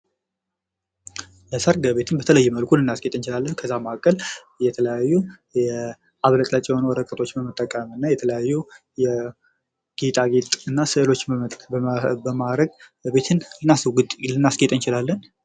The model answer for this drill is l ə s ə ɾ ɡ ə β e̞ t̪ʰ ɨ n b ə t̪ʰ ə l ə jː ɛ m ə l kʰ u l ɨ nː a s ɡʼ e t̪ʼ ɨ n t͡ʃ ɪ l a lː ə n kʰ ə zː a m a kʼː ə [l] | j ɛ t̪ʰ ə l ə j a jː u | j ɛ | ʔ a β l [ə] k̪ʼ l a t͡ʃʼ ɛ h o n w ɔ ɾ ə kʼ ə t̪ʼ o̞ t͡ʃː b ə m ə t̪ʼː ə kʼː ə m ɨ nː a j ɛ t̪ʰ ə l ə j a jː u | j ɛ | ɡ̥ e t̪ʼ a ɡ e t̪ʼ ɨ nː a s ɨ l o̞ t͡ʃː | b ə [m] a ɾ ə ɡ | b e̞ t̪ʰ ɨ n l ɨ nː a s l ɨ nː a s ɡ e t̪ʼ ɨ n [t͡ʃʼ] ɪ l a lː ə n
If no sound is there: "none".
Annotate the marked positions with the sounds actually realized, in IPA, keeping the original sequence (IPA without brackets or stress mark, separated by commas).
l, ə, m, t͡ʃ